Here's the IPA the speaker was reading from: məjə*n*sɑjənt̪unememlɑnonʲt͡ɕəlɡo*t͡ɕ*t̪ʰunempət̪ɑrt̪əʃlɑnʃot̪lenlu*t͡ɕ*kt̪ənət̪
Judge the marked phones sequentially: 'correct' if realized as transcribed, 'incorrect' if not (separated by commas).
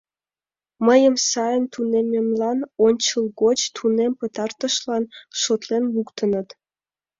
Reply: incorrect, correct, incorrect